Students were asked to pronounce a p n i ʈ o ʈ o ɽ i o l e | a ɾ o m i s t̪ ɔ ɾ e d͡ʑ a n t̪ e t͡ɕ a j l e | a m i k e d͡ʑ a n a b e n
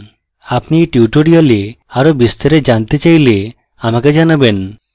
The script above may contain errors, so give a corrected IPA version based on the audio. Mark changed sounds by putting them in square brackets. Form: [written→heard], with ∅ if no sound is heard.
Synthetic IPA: a p n i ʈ [o→u] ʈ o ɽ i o l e | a ɾ o [m→b] i s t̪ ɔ ɾ e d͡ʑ a n t̪ e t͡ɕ a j l e | a m [i→a] k e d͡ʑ a n a b e n